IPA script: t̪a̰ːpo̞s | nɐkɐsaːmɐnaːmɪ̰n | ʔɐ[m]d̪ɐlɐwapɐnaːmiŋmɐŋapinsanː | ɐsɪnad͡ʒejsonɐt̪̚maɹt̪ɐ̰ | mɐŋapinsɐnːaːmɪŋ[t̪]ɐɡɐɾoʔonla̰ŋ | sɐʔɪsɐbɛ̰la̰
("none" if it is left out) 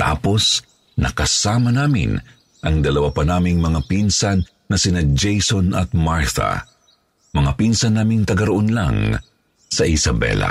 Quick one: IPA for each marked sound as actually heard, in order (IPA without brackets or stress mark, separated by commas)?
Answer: ŋ, t̪